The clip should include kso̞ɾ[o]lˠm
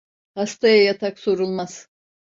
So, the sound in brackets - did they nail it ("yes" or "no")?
no